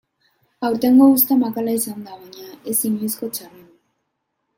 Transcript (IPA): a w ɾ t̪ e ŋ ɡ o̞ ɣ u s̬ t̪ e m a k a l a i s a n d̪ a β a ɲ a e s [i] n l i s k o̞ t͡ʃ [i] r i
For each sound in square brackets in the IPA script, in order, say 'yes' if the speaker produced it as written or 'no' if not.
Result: yes, no

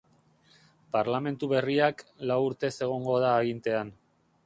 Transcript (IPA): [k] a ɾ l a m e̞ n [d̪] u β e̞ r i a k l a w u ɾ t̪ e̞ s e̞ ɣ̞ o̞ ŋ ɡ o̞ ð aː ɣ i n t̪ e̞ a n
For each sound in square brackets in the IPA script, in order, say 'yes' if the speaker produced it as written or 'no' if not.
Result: no, no

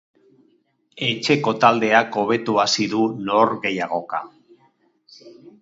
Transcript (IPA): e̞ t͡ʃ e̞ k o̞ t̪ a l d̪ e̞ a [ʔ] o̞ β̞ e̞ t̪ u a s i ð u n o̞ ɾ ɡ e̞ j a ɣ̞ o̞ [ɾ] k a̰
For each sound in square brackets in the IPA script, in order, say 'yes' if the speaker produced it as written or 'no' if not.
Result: no, no

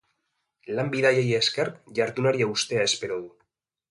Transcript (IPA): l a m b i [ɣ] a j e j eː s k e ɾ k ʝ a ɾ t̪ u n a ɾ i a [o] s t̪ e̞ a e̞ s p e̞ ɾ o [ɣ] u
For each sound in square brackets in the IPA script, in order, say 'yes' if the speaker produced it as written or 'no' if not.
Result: no, no, no

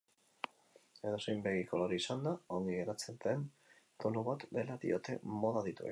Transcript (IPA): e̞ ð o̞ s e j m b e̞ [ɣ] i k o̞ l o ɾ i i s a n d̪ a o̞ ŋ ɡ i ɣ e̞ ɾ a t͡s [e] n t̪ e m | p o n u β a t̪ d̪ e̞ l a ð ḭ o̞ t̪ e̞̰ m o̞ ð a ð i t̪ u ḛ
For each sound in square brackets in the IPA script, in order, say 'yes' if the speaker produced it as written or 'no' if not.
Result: yes, yes

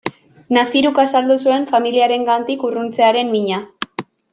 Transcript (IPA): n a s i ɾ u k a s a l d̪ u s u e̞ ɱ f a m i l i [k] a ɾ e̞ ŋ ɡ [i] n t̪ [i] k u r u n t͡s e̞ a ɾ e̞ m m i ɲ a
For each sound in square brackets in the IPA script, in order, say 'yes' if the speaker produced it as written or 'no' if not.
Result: no, no, yes

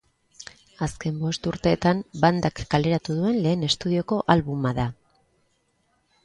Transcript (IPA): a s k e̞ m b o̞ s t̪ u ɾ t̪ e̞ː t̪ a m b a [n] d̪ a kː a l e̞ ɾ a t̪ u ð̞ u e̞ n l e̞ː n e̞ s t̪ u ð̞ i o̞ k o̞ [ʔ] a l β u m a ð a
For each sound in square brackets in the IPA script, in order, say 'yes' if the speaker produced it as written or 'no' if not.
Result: yes, yes

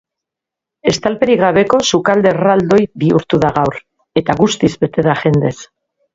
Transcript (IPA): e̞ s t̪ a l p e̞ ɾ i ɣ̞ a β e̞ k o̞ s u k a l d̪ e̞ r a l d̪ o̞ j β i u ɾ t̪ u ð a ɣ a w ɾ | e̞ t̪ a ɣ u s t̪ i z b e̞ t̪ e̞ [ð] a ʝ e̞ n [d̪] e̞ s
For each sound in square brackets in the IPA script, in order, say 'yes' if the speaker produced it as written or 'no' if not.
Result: yes, yes

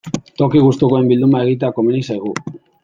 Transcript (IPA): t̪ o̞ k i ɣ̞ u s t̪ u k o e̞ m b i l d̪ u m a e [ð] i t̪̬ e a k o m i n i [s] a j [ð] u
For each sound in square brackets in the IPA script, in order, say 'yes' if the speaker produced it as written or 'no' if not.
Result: no, yes, no

